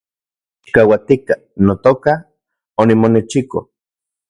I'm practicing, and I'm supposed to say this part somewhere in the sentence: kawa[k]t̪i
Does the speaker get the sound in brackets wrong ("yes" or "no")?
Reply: yes